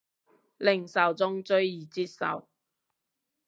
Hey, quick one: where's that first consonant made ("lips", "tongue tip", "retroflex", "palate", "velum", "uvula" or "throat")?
tongue tip